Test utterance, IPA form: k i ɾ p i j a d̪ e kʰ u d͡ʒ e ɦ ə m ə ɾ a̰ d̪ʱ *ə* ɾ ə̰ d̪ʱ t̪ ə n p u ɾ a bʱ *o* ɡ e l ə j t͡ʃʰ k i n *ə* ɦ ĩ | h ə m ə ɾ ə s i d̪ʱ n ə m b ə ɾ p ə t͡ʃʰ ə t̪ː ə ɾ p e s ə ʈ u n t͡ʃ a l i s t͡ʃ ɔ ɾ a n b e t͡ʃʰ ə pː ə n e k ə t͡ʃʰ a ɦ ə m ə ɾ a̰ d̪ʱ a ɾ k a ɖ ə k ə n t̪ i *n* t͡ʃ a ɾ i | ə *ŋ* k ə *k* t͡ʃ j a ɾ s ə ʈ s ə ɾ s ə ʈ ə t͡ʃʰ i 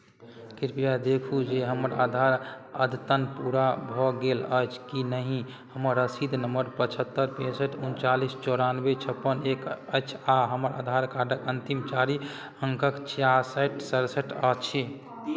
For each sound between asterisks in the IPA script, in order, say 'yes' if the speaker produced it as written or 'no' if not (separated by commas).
no, no, yes, no, yes, yes